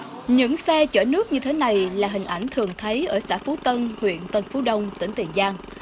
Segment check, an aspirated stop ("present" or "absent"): present